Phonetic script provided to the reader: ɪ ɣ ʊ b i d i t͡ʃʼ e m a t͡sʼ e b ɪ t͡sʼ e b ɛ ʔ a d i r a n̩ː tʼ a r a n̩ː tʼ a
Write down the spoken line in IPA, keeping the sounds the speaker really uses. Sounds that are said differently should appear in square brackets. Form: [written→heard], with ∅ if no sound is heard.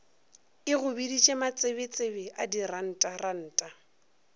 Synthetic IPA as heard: ɪ ɣ ʊ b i d i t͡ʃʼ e m a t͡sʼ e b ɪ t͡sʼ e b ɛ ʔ a d i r a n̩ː tʼ a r a n̩ː tʼ a